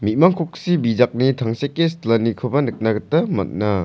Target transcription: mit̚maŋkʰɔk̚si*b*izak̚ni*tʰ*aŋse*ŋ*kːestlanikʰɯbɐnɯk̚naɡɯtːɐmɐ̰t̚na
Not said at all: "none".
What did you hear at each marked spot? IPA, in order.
b, tʰ, none

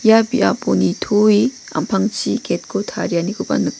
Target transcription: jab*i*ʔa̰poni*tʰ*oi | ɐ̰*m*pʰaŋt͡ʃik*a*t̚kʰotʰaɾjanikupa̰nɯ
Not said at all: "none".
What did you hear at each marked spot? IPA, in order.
i, tʰ, m, e

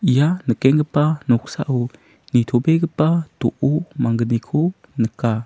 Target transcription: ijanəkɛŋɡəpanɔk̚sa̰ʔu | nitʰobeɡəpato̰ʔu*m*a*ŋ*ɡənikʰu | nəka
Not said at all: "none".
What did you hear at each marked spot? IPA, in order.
m, ŋ

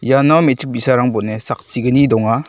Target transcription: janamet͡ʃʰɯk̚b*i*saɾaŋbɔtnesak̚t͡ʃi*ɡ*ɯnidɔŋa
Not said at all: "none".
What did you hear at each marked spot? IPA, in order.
i, ɡ

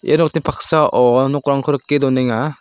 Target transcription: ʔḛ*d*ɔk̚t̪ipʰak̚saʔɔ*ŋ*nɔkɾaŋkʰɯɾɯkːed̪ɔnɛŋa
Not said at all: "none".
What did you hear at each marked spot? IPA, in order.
n, none

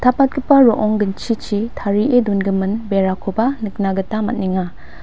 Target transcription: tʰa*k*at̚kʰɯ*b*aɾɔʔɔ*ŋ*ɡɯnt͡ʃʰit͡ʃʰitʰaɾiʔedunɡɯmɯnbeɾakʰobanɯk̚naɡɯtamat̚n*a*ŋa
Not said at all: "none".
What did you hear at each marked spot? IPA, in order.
p, p, ŋ, i

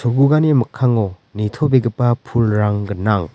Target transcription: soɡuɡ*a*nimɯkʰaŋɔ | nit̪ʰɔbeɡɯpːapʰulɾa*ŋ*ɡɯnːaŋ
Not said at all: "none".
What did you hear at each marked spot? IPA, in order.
a, ŋ

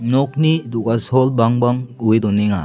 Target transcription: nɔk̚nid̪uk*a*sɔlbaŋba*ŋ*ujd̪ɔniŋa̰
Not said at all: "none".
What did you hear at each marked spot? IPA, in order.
a, ŋ

